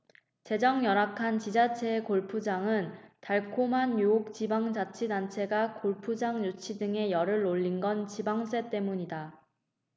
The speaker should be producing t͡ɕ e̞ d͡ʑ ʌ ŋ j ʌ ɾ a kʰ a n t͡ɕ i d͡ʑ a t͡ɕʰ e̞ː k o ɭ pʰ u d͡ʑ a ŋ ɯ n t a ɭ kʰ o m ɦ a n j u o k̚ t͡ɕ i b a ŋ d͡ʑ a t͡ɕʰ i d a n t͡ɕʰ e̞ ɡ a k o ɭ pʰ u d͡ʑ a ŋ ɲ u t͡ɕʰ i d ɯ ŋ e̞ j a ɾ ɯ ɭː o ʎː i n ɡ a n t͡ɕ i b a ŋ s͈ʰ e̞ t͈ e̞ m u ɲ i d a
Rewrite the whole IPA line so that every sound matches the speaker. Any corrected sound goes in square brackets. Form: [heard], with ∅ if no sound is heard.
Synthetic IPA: t͡ɕ e̞ d͡ʑ ʌ ŋ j ʌ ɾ a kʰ a n t͡ɕ i d͡ʑ a t͡ɕʰ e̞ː k o ɭ pʰ u d͡ʑ a ŋ ɯ n t a ɭ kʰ o m ɦ a n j u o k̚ t͡ɕ i b a ŋ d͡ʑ a t͡ɕʰ i d a n t͡ɕʰ e̞ ɡ a k o ɭ pʰ u d͡ʑ a ŋ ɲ u t͡ɕʰ i d ɯ ŋ e̞ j [ʌ] ɾ ɯ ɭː o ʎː i n ɡ [ʌ] n t͡ɕ i b a ŋ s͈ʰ e̞ t͈ e̞ m u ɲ i d a